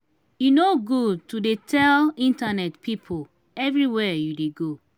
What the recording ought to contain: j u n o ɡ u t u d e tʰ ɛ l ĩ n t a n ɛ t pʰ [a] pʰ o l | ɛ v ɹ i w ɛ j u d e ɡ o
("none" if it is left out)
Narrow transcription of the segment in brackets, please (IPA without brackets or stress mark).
i